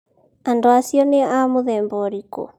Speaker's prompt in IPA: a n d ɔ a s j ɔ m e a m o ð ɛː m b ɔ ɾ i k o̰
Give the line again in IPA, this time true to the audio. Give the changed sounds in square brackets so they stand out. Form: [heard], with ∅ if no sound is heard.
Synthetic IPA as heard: a n d [o] a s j ɔ [n] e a m o ð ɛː m b ɔ ɾ i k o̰